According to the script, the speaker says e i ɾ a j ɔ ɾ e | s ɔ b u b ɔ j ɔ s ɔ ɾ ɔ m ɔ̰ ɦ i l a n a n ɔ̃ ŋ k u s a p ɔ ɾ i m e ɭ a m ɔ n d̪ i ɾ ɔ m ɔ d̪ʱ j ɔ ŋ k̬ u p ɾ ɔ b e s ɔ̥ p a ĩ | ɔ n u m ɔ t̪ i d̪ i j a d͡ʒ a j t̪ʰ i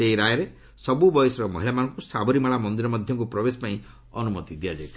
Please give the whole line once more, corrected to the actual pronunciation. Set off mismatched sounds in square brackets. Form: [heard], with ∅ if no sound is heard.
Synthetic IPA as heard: e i ɾ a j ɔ ɾ e | s ɔ b u b ɔ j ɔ s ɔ ɾ ɔ m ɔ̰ ɦ i l a [m] a n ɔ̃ ŋ k u s a [b] ɔ ɾ i m [a] ɭ a m ɔ n d̪ i ɾ ɔ m ɔ d̪ʱ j ɔ ŋ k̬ u p ɾ ɔ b e s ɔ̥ p a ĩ | ɔ n u m ɔ t̪ i d̪ i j a d͡ʒ a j t̪ʰ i

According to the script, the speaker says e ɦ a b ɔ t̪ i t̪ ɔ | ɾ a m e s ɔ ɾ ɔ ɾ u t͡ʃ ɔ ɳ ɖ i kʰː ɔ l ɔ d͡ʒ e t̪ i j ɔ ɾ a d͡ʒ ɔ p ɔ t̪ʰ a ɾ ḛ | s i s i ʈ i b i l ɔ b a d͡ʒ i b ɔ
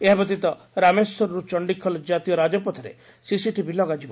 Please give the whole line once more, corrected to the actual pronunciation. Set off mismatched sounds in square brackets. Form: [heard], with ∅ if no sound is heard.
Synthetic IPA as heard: e ɦ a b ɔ t̪ i t̪ ɔ | ɾ a m e s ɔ ɾ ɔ ɾ u t͡ʃ ɔ ɳ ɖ i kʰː ɔ l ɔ d͡ʒ [a] t̪ i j ɔ ɾ a d͡ʒ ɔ p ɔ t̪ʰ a ɾ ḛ | s i s i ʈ i b i l ɔ [ɡ] a d͡ʒ i b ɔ

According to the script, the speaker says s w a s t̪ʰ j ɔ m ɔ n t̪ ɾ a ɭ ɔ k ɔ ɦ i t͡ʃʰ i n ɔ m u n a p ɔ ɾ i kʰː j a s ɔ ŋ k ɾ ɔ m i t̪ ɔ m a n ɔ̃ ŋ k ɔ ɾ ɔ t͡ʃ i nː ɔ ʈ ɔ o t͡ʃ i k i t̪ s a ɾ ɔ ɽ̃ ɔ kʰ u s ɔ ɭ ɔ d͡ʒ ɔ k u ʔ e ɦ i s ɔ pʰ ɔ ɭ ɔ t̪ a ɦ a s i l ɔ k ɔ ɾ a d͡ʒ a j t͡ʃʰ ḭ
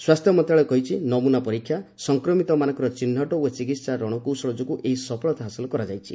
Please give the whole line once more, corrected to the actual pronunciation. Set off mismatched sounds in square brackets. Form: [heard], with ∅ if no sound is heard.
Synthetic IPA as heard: s w a s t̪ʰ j ɔ m ɔ n t̪ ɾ a ɭ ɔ k ɔ ɦ i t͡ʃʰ i n ɔ m u n a p ɔ ɾ i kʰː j a s ɔ ŋ k ɾ ɔ m i t̪ ɔ m a n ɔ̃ ŋ k ɔ ɾ ɔ t͡ʃ i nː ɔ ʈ ɔ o t͡ʃ i k i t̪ s a ɾ ɔ ɽ̃ ɔ [k] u s ɔ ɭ ɔ d͡ʒ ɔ k u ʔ e ɦ i s ɔ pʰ ɔ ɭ ɔ t̪ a ɦ a s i l ɔ k ɔ ɾ a d͡ʒ a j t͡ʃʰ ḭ

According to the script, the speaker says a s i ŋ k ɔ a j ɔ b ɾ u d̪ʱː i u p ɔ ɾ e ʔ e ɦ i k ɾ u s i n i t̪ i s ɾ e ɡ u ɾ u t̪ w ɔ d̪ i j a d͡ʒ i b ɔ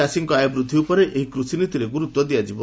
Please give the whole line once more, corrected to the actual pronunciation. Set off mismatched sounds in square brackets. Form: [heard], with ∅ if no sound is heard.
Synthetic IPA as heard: a s i ŋ k ɔ a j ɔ b ɾ u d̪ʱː i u p ɔ ɾ e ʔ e ɦ i k ɾ u s i n i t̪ i [∅] ɾ e ɡ u ɾ u t̪ w ɔ d̪ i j a d͡ʒ i b ɔ

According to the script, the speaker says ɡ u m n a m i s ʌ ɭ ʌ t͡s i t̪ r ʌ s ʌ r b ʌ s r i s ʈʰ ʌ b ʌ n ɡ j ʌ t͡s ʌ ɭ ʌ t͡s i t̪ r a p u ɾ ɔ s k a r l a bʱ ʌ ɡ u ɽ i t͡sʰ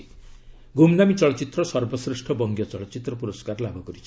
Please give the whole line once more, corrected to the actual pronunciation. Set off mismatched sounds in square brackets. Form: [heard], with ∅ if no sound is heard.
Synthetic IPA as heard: ɡ u m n a m i [t͡s] ʌ ɭ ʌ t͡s i t̪ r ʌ s ʌ r b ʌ s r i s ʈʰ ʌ b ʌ [ŋ] ɡ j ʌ t͡s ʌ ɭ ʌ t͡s i t̪ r [ʌ] p u ɾ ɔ s k a r l a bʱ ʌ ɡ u [ɾ] i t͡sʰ

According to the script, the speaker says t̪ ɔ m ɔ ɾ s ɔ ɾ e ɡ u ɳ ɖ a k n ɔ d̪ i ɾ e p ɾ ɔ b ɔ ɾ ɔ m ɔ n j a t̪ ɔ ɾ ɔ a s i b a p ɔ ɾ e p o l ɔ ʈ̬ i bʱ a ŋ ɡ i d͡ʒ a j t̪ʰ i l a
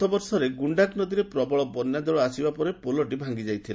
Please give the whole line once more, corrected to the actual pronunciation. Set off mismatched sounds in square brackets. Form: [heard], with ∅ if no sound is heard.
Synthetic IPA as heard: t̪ ɔ [b] ɔ ɾ s ɔ ɾ e ɡ u ɳ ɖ a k n ɔ d̪ i ɾ e p ɾ ɔ b ɔ [ɭ] ɔ [b] ɔ n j a [d̪] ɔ [ɭ] ɔ a s i b a p ɔ ɾ e p o l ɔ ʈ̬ i bʱ a ŋ ɡ i d͡ʒ a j t̪ʰ i l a

